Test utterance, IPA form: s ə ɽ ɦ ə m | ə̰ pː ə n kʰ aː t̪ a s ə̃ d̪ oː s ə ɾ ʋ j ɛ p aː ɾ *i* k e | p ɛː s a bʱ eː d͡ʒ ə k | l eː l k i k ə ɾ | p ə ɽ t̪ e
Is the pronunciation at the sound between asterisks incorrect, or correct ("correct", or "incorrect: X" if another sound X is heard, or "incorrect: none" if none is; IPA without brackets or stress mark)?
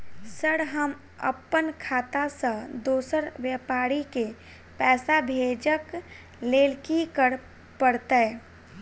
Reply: correct